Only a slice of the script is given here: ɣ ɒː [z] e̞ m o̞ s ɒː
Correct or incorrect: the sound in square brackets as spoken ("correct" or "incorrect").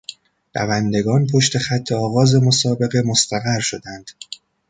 correct